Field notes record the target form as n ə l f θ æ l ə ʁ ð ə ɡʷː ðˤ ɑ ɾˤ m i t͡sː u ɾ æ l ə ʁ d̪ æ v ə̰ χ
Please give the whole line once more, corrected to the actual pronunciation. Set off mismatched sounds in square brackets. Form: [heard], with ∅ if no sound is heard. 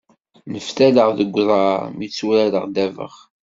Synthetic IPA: n ə [∅] f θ æ l ə ʁ ð ə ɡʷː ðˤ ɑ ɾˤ m i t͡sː u ɾ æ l ə ʁ d̪ æ v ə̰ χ